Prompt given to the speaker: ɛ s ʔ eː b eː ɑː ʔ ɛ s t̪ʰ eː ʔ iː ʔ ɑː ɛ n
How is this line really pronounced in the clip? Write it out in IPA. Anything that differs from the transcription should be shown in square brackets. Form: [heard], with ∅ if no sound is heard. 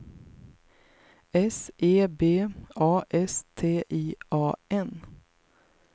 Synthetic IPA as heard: ɛ s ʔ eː b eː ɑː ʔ ɛ s t̪ʰ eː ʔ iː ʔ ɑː ɛ n

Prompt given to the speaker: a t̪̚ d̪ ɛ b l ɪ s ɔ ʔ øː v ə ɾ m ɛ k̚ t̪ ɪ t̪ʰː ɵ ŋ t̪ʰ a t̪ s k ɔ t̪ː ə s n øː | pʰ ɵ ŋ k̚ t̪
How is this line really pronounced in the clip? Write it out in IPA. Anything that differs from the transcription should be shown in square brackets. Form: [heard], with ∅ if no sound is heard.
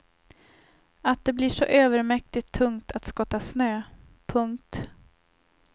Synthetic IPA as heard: a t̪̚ d̪ ɛ b l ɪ [ʂ] ɔ ʔ øː v ə ɾ m ɛ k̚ t̪ ɪ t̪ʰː ɵ ŋ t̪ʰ a t̪ s k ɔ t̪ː [a] s n øː | pʰ ɵ ŋ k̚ t̪

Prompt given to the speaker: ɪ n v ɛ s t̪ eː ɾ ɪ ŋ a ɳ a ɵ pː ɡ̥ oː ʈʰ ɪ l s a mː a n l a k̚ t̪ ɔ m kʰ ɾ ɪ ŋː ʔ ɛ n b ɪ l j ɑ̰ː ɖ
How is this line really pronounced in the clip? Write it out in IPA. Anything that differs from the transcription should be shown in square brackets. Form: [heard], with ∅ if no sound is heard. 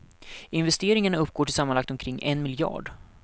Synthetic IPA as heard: ɪ n v ɛ s t̪ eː ɾ ɪ ŋ a ɳ a ɵ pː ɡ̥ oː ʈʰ ɪ l s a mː a n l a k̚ t̪ ɔ m kʰ ɾ ɪ ŋː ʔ ɛ n [m] ɪ l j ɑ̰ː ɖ

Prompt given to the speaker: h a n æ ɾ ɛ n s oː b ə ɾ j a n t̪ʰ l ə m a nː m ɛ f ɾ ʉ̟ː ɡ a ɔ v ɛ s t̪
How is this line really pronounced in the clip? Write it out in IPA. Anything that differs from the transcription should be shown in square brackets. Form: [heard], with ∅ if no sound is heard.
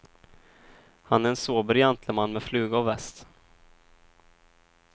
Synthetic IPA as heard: h a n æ ɾ ɛ n s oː b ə ɾ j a n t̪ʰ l ə m a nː m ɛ f [l] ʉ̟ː ɡ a ɔ v ɛ s t̪

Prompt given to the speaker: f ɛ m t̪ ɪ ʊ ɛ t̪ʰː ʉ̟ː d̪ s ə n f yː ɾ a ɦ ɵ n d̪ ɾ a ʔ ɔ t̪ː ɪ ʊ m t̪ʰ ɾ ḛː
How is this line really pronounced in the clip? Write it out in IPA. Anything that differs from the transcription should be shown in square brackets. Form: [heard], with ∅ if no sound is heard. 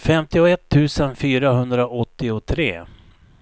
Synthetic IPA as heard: f ɛ m t̪ ɪ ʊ ɛ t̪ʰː ʉ̟ː [∅] s ə n f yː ɾ a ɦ ɵ n d̪ ɾ a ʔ ɔ t̪ː ɪ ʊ [∅] t̪ʰ ɾ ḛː

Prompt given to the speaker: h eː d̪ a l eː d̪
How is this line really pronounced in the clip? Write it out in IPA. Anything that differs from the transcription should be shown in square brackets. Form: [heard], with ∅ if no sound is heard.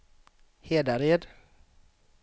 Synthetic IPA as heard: h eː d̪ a [ɾ] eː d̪

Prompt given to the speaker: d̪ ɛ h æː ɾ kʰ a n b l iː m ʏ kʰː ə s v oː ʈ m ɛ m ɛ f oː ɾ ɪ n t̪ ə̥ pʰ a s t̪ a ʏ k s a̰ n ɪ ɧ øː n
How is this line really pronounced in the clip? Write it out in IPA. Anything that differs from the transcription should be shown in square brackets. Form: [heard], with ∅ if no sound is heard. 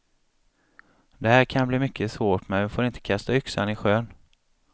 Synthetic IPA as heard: d̪ ɛ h æː ɾ kʰ a n b l iː m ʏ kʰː ə s v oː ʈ m ɛ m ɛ f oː ɾ ɪ n t̪ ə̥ [kʰ] a s t̪ a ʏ k s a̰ n ɪ ɧ øː n

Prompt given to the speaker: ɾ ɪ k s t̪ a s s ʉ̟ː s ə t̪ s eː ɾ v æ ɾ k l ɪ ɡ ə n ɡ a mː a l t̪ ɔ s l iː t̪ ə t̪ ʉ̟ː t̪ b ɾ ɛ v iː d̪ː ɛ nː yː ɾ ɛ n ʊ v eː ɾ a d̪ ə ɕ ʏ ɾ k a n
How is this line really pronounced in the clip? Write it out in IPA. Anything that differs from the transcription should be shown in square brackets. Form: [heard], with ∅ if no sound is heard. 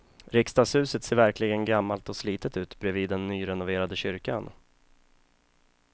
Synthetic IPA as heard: ɾ ɪ k s t̪ a s [h] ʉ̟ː s ə t̪ s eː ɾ v æ ɾ k l ɪ ɡ ə n ɡ a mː a l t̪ ɔ s l iː t̪ ə t̪ ʉ̟ː t̪ b ɾ ɛ v iː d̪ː ɛ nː yː ɾ ɛ n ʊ v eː ɾ a d̪ ə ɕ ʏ ɾ k a n

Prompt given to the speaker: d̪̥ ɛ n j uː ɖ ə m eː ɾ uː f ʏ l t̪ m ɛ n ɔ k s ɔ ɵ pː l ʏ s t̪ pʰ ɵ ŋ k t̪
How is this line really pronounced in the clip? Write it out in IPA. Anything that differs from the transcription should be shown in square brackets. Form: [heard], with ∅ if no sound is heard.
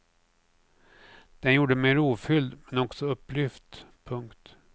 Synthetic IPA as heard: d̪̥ ɛ n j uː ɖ ə m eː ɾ uː f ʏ l [d̪] m ɛ n ɔ k s ɔ ɵ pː l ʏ [f] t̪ pʰ ɵ ŋ k t̪

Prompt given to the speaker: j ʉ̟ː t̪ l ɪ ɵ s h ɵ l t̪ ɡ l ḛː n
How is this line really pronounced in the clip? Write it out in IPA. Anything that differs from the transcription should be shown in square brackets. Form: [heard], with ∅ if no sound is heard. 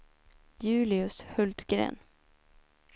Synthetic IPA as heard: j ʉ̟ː [∅] l ɪ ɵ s h ɵ l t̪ ɡ [ɾ] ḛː n

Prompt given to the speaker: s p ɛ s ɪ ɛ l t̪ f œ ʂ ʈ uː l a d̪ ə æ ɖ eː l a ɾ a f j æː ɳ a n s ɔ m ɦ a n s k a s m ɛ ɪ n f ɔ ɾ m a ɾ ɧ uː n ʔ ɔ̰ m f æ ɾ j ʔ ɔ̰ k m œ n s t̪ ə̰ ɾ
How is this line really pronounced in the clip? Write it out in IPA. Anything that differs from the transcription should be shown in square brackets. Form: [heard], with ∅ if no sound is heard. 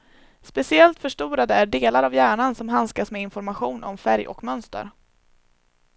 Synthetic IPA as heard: s p ɛ s ɪ ɛ l t̪ f œ ʂ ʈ uː [ɾ] a d̪ ə æ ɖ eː l a ɾ a [v] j æː ɳ a n s ɔ m ɦ a n s k a s m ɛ ɪ n f ɔ ɾ m a [∅] ɧ uː n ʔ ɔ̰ m f æ ɾ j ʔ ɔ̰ k m œ n s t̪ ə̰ ɾ

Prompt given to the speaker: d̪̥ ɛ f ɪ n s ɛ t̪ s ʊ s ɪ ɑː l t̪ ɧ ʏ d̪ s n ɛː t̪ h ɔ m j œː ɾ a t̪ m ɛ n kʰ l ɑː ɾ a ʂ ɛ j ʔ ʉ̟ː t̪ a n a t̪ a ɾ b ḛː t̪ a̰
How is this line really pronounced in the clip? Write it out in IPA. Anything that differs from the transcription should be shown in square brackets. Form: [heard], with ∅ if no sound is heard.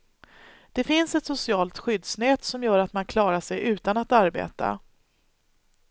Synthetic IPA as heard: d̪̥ ɛ f ɪ n s ɛ t̪ s ʊ s ɪ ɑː l t̪ ɧ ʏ d̪ s n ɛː t̪ [s] ɔ m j œː ɾ a t̪ m [a] n kʰ l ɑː ɾ a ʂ ɛ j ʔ ʉ̟ː t̪ a n a t̪ a ɾ b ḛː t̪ a̰

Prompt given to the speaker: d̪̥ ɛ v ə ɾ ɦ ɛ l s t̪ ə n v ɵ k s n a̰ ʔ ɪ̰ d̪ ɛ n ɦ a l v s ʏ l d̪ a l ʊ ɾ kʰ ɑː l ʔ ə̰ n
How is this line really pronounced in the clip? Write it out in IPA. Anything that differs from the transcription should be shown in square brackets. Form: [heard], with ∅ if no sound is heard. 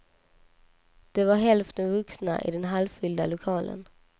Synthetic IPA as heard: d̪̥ ɛ v [a] ɾ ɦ ɛ l [f] t̪ ə n v ɵ k s n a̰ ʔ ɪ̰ d̪ ɛ n ɦ a l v [f] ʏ l d̪ a l ʊ [∅] kʰ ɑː l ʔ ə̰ n

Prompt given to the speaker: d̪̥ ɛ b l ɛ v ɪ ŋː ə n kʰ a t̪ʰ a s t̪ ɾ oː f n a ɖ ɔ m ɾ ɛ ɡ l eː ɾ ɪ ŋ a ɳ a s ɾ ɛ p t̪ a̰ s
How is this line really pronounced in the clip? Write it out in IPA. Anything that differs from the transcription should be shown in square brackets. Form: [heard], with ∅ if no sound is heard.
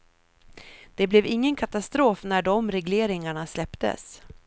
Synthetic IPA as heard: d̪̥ ɛ b l ɛ v ɪ ŋː ə n kʰ a [t̪] a s t̪ ɾ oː f n [æ] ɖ ɔ m ɾ ɛ ɡ l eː ɾ ɪ ŋ a ɳ a s [l] ɛ p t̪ [ə̰] s

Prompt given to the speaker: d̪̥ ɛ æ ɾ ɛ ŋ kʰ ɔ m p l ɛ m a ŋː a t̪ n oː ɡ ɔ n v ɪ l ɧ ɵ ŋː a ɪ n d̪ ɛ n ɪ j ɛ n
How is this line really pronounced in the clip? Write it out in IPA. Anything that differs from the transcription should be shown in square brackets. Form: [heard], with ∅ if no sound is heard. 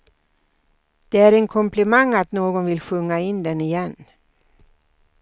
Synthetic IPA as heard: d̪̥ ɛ æ ɾ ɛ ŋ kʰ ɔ m p l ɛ m a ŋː a t̪ n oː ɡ ɔ n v ɪ l ɧ ɵ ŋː a ɪ n d̪ ɛ n ɪ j ɛ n

